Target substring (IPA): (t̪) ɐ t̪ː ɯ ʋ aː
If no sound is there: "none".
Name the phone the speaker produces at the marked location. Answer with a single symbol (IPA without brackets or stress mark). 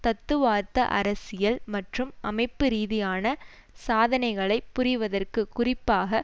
t̪